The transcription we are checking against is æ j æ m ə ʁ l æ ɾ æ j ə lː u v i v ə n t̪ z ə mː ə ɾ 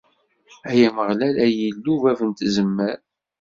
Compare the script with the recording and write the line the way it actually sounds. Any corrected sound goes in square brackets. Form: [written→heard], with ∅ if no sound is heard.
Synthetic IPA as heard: æ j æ m ə ʁ l æ [ɾ→l] æ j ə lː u v [i→æ] v ə n t̪ z ə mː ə ɾ

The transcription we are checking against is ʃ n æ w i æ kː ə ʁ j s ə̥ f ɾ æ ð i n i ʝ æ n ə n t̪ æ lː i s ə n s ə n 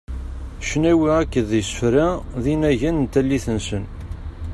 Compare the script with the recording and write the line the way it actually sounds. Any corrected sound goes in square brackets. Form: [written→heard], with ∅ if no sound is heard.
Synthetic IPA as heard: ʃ n æ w i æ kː ə [ʁ→ð] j s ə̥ f ɾ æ ð i n [i→æ] ʝ æ n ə n t̪ æ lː i [s→θ] ə n s ə n

